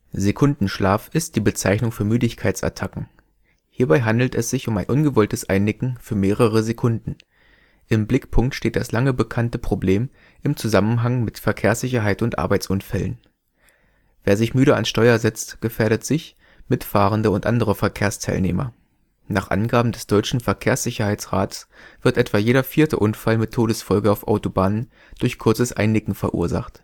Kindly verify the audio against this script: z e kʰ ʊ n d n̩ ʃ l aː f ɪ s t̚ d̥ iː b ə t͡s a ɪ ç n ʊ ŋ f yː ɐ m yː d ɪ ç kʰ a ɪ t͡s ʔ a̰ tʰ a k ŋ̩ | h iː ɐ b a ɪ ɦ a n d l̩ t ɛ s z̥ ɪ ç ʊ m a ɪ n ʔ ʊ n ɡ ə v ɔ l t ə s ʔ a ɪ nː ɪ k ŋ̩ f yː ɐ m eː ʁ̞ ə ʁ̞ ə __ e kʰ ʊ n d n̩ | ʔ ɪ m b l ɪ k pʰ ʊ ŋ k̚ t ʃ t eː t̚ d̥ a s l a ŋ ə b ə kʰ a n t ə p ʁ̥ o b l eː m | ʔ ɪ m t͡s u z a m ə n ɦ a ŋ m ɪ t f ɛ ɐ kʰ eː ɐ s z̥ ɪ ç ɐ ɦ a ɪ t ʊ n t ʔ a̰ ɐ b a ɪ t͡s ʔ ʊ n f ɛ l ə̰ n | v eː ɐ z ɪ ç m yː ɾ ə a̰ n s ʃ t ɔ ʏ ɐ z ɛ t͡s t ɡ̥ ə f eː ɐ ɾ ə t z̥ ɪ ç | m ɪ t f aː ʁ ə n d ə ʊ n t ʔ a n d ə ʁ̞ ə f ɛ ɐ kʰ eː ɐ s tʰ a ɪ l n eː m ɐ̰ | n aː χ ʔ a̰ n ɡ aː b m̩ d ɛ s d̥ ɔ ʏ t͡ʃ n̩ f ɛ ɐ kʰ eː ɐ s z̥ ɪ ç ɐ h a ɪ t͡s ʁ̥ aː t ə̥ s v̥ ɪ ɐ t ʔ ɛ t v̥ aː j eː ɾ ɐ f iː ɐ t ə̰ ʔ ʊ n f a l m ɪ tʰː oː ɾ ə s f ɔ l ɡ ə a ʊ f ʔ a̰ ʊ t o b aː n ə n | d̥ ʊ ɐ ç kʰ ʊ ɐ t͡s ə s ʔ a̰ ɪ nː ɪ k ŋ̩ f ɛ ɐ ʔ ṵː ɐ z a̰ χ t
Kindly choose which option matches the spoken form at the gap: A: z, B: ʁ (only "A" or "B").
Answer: A